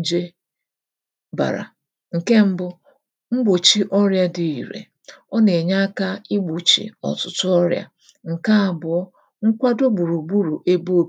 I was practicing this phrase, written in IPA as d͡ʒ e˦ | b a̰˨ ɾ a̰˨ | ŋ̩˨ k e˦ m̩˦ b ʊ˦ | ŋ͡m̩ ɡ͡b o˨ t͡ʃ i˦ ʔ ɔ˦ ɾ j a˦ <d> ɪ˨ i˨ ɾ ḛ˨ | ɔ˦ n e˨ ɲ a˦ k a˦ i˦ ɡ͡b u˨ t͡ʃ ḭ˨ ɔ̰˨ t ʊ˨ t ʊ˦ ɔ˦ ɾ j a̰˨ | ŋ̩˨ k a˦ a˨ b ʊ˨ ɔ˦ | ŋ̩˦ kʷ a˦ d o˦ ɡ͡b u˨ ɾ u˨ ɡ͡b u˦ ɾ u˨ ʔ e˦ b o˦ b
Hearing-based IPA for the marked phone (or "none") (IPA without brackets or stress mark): d